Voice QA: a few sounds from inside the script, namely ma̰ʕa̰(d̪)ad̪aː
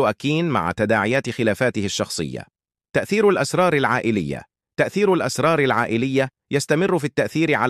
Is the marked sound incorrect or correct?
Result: incorrect